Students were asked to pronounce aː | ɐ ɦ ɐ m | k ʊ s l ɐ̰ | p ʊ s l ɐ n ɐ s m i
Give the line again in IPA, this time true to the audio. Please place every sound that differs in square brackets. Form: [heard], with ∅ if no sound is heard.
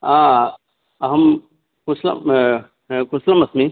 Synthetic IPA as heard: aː | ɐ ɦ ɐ m | k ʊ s l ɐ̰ | [k] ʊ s l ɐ [m] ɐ s m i